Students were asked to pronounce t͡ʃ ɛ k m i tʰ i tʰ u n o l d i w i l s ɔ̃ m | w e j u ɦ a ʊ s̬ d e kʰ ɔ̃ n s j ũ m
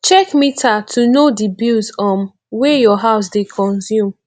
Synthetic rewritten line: t͡ʃ ɛ k m i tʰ a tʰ u n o d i b i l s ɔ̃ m | w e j ɔ ɦ a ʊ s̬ d e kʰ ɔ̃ n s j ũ m